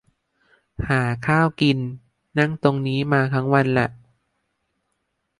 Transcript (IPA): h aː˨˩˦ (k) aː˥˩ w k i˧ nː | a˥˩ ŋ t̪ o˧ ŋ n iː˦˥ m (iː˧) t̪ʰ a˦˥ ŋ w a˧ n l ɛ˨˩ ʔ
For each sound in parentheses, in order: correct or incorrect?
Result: incorrect: kʰ, incorrect: aː˧

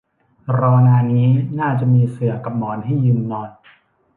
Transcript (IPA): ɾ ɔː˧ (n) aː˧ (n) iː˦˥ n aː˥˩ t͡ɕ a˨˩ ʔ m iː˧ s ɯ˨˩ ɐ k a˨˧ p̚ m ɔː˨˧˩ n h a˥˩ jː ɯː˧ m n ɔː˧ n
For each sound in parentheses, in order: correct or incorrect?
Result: correct, correct

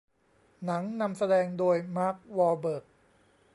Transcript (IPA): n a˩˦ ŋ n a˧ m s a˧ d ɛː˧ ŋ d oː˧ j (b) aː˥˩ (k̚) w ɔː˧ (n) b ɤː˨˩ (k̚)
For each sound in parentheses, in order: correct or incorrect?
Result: incorrect: m, correct, incorrect: none, correct

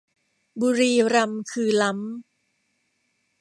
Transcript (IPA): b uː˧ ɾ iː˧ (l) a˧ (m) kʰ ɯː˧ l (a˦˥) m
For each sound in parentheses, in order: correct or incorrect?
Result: incorrect: ɾ, correct, correct

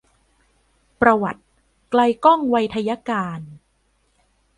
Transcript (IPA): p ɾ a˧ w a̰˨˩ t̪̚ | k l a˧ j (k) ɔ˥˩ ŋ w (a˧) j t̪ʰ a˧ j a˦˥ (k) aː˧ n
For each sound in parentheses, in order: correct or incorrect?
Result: correct, correct, correct

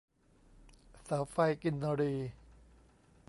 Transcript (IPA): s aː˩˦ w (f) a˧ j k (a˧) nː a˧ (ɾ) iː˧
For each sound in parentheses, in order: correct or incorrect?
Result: correct, incorrect: i˧, correct

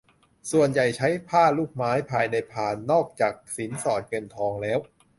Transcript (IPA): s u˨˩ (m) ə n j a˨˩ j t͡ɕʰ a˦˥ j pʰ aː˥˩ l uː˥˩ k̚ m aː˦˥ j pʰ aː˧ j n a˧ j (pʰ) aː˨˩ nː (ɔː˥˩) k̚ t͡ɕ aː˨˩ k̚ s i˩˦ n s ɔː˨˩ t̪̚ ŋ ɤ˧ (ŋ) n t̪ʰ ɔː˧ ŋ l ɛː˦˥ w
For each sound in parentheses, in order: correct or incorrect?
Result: incorrect: none, correct, correct, incorrect: none

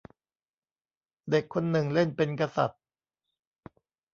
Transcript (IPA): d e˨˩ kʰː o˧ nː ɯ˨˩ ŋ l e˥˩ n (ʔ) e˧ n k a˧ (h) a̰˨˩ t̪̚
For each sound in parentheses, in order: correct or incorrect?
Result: incorrect: p, incorrect: s

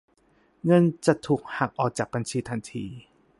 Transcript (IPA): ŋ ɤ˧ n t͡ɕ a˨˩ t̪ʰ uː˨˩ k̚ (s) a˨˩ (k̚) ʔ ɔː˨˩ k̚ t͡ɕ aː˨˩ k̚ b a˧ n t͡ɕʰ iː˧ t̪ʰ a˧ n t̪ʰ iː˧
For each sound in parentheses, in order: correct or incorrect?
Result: incorrect: h, correct

